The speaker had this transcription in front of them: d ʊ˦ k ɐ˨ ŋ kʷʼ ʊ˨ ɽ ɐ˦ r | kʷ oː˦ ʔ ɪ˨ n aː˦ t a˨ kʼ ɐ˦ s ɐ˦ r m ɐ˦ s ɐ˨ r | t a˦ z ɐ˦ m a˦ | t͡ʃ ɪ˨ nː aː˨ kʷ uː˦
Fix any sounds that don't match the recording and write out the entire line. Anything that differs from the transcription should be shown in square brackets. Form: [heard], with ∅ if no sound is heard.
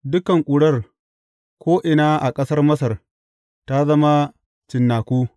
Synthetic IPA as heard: d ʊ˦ k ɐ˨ ŋ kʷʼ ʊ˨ ɽ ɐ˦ r | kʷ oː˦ ʔ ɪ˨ n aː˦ [ʔ] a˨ kʼ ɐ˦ s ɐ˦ r m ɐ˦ s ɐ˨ r | t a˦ z ɐ˦ m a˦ | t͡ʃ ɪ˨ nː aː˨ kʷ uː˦